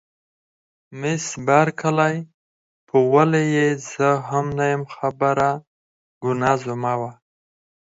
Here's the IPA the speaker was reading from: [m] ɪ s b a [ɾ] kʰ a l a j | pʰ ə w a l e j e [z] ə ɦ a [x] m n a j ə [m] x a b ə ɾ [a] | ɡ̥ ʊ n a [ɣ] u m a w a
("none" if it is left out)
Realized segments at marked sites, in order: m, ɾ, z, none, m, a, z

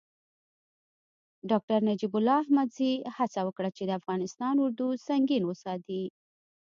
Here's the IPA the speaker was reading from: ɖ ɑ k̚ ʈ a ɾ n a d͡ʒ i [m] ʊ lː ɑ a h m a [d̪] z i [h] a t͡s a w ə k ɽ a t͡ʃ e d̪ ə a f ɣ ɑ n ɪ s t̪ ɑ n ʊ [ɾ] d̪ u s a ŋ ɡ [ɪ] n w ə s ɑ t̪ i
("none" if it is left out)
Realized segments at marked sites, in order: b, d̪, h, ɾ, i

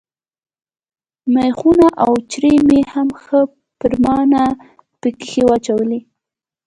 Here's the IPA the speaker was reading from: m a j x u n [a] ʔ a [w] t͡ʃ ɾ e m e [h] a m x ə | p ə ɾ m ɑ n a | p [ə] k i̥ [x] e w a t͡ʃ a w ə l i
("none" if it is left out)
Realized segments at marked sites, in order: a, w, h, ə, x

